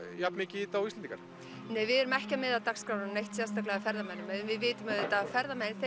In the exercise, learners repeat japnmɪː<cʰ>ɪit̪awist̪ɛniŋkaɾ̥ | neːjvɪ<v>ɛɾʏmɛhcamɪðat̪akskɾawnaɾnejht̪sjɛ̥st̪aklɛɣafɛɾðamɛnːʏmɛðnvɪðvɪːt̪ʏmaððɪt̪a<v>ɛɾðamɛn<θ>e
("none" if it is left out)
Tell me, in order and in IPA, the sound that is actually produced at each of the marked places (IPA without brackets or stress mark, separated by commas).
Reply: c, ð, f, θ